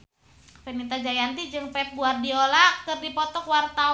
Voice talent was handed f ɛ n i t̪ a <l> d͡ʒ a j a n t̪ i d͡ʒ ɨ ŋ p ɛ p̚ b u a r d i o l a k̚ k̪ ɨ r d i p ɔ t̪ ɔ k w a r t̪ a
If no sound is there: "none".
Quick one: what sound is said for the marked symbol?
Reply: none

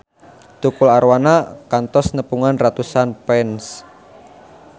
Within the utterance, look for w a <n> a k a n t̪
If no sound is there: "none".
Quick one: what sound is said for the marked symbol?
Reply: n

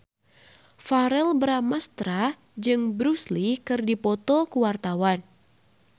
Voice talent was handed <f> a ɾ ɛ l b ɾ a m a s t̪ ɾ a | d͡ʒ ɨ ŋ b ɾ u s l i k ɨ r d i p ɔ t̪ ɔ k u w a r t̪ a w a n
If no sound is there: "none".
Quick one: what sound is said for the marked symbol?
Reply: f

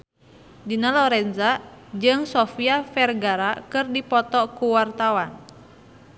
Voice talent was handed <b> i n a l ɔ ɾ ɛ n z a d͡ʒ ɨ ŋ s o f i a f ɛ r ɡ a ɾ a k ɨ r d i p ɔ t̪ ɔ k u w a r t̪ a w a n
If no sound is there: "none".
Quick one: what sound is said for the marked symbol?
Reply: d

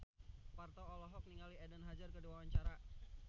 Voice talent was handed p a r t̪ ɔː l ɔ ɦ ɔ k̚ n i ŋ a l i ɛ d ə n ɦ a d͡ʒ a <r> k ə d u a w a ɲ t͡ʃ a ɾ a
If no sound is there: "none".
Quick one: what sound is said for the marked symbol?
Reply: r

